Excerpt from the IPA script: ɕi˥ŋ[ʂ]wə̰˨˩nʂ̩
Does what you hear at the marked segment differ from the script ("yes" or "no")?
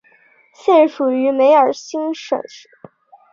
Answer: no